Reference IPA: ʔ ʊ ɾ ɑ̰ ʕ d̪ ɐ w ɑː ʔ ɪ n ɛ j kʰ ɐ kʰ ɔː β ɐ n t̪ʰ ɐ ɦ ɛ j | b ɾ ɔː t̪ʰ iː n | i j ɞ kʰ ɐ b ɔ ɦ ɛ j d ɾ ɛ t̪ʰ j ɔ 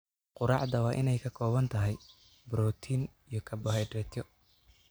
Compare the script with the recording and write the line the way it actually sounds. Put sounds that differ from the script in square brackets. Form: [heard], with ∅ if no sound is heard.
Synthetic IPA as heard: [q] ʊ ɾ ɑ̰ ʕ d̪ ɐ w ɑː ʔ ɪ n ɛ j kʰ ɐ kʰ ɔː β ɐ n t̪ʰ ɐ ɦ ɛ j | b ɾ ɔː t̪ʰ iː n | i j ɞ kʰ ɐ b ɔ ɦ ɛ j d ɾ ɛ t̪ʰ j ɔ